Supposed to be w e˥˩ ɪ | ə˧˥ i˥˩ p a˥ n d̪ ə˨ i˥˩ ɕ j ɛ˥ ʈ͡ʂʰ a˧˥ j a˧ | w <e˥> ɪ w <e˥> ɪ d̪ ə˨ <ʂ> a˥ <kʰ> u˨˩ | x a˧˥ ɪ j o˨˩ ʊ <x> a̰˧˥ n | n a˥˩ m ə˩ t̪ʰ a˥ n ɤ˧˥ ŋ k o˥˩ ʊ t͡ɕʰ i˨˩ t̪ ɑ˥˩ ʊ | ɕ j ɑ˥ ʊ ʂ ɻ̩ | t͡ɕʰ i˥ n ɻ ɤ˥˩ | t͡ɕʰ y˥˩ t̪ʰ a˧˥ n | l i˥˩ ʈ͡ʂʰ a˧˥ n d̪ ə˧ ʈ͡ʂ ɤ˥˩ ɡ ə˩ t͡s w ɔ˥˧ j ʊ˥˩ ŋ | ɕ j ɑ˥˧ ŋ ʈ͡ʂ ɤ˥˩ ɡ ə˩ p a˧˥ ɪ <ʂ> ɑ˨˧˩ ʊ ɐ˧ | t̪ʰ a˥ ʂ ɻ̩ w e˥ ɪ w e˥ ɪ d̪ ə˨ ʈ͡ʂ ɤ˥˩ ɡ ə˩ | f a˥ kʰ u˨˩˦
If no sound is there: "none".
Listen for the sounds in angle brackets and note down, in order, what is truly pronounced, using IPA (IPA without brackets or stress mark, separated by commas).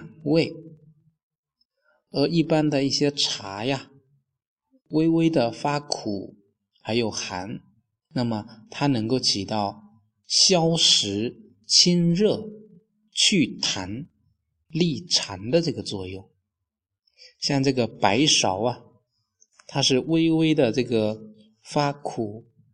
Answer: e˥, e˥, f, kʰ, x, ʂ